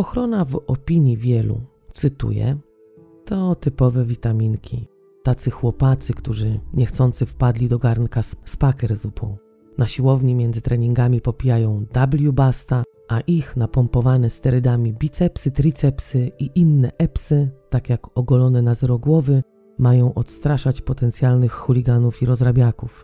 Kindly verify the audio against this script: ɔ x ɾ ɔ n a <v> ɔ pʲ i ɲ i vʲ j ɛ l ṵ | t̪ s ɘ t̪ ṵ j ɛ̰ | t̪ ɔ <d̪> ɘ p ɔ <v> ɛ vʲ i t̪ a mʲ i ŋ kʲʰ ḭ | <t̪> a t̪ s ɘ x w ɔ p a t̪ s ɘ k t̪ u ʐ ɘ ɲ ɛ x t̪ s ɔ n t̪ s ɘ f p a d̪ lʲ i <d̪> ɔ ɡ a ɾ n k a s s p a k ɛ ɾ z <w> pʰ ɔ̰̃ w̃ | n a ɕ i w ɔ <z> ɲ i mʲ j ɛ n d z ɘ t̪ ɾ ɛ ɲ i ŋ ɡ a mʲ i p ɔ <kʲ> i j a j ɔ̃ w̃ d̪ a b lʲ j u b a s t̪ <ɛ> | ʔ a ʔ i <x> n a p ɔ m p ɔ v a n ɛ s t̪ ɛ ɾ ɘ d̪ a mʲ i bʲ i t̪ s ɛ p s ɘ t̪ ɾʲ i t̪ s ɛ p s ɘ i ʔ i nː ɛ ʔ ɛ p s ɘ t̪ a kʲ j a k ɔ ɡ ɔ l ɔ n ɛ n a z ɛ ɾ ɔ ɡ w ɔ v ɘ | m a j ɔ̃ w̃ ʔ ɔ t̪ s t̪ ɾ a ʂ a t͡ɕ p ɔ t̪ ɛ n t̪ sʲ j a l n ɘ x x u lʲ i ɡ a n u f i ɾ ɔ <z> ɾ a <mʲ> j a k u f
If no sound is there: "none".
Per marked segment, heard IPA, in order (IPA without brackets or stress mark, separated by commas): v, t̪, v, t̪, d̪, u, v, pʲ, a, x, z, bʲ